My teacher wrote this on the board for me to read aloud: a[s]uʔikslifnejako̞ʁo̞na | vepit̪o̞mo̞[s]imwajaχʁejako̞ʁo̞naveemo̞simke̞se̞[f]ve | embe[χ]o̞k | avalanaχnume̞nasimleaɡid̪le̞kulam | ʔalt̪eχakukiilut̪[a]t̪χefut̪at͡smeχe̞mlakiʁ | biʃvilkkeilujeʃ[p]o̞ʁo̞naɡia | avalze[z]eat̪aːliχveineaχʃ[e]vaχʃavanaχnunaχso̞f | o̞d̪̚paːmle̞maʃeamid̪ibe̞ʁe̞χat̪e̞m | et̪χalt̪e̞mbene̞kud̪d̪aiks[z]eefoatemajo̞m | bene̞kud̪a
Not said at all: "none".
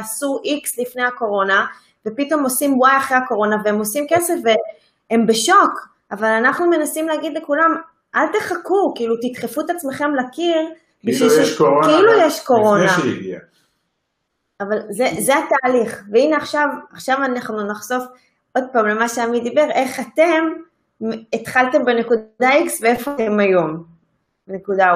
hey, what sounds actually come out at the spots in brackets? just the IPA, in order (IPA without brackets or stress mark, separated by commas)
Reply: s, s, f, ʃ, i, k, z, a, v